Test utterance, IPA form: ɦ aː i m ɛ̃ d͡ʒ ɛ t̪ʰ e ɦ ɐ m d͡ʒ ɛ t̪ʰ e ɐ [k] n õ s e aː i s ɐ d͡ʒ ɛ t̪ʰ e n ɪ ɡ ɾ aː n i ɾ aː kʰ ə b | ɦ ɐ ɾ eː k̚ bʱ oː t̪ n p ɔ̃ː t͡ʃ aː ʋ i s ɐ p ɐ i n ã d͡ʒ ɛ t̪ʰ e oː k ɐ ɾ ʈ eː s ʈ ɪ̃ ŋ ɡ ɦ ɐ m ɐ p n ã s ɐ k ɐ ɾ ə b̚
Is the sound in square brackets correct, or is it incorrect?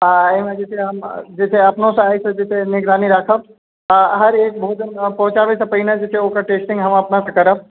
incorrect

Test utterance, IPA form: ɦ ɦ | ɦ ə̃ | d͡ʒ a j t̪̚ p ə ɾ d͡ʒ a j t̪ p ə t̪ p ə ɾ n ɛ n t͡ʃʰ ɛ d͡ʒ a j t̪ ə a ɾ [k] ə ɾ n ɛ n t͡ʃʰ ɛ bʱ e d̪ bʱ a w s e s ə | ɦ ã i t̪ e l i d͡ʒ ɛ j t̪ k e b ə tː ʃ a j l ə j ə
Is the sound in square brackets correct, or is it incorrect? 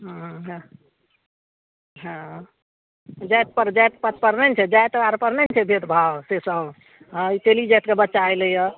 incorrect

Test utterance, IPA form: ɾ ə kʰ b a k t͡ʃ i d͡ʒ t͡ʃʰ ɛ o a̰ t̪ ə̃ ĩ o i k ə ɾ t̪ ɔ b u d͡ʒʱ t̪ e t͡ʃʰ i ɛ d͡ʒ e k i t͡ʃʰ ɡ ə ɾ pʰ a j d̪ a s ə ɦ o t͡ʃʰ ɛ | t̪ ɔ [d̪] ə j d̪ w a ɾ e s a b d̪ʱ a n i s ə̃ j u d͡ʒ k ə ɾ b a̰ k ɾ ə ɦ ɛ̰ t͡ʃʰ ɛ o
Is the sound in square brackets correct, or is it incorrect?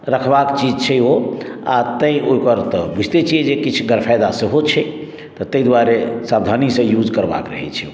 incorrect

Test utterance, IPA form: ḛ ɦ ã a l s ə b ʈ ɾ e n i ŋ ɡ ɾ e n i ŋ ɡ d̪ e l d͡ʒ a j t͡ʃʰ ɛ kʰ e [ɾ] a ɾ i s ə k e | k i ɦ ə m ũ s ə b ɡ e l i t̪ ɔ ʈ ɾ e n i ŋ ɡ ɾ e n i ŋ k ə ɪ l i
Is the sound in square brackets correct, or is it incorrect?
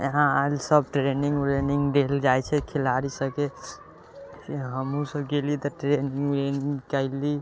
incorrect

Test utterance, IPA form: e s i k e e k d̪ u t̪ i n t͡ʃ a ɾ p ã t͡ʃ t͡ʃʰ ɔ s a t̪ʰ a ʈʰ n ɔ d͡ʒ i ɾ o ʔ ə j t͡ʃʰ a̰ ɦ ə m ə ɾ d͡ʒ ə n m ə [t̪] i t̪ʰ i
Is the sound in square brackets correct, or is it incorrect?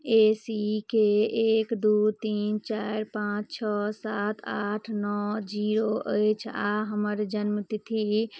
correct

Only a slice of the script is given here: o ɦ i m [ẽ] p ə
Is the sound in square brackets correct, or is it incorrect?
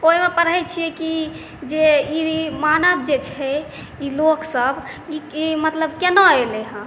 incorrect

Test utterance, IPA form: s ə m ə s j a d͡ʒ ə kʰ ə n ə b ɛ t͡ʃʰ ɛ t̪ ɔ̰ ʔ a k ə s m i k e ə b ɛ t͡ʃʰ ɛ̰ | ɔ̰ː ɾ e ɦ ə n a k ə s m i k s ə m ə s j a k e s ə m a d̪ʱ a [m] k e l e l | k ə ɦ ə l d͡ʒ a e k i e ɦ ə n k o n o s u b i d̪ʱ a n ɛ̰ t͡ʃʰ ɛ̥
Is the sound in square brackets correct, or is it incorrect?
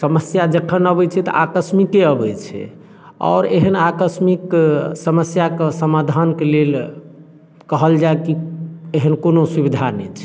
incorrect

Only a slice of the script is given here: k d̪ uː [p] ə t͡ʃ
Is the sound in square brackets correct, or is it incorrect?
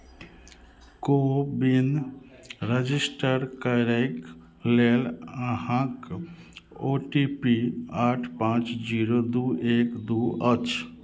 incorrect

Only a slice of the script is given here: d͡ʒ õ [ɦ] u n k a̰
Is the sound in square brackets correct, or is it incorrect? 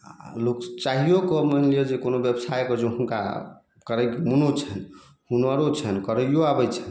correct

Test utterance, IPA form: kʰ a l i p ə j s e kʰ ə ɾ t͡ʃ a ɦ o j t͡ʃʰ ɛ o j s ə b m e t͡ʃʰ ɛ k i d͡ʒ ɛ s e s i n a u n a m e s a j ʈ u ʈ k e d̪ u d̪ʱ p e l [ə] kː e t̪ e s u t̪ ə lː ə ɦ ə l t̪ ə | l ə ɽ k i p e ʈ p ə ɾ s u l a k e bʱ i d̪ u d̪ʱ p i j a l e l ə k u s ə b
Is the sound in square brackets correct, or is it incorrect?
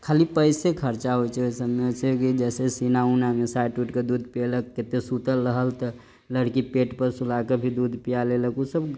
correct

